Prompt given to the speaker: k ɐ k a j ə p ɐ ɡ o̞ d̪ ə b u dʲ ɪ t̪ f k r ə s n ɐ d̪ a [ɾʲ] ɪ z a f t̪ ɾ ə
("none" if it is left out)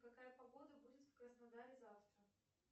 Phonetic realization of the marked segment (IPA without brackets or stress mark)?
ɾʲ